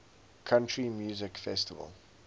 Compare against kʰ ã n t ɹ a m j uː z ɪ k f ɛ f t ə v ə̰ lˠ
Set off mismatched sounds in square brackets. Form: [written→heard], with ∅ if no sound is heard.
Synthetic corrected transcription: kʰ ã n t ɹ [a→i] m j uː z ɪ k f ɛ [f→s] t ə v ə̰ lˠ